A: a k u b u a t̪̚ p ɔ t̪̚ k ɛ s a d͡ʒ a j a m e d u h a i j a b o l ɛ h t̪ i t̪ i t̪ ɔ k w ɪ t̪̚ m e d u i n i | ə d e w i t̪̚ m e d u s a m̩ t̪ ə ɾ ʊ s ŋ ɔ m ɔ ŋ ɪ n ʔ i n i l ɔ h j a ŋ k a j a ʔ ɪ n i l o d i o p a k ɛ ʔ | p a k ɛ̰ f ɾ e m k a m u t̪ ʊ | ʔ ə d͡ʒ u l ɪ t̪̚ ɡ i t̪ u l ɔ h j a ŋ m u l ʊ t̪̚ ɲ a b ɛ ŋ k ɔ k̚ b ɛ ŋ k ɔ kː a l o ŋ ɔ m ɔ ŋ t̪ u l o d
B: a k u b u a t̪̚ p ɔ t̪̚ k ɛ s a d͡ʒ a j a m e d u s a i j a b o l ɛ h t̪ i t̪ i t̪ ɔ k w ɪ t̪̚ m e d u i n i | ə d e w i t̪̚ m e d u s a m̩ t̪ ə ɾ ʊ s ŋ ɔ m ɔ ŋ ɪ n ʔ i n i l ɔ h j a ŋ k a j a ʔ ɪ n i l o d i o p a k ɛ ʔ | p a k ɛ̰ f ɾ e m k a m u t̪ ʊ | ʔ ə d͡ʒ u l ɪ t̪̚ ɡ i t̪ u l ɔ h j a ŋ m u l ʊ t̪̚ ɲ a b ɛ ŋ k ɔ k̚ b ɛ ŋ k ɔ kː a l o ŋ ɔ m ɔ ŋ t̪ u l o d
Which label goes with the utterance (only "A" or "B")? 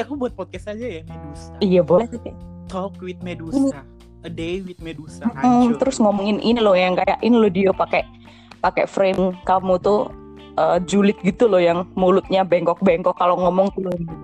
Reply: B